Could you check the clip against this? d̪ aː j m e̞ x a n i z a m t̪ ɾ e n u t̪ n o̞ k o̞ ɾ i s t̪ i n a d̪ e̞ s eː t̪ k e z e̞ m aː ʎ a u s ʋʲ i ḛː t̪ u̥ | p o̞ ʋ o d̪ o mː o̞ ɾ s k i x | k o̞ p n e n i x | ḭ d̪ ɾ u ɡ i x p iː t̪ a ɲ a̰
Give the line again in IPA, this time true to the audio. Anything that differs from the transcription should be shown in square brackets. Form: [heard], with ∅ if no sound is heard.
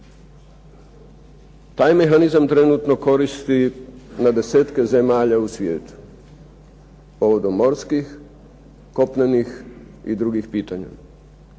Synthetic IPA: [t̪] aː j m e̞ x a n i z a m t̪ ɾ e n u t̪ n o̞ k o̞ ɾ i s t̪ i n a d̪ e̞ s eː t̪ k e z e̞ m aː ʎ a u s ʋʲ [j] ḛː t̪ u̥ | p o̞ ʋ o d̪ o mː o̞ ɾ s k i x | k o̞ p n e n i x | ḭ d̪ ɾ u ɡ i x p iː t̪ a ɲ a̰